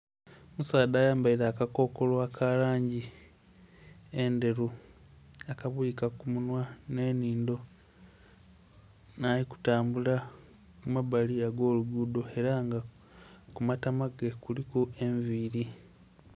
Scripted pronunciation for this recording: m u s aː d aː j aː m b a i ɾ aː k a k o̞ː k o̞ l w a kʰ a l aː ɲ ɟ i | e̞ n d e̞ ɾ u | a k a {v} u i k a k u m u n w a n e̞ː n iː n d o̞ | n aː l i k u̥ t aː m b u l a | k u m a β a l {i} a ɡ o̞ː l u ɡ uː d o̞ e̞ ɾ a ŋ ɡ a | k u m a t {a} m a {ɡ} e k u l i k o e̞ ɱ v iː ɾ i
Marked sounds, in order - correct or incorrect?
incorrect, correct, correct, correct

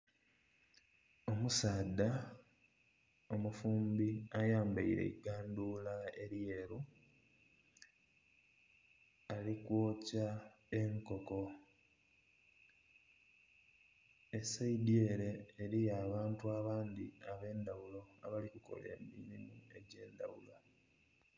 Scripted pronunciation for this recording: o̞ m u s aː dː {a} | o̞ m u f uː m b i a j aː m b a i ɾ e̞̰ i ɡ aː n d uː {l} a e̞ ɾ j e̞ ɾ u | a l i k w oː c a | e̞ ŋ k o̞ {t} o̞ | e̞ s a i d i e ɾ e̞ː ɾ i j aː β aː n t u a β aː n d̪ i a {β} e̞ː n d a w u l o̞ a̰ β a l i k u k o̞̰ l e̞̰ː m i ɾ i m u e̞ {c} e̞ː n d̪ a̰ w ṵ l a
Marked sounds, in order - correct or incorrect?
correct, correct, incorrect, correct, incorrect

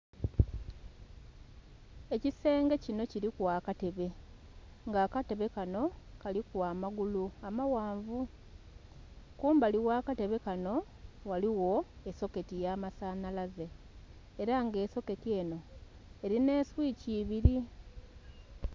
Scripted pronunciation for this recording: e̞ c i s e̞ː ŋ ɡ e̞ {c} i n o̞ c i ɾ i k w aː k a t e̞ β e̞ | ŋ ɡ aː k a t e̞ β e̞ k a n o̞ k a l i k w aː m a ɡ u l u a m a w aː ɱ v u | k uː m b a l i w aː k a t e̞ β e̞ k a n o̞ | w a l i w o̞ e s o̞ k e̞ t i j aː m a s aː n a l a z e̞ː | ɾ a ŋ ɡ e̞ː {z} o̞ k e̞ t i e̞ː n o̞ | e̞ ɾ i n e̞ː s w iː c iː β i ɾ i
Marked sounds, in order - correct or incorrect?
correct, incorrect

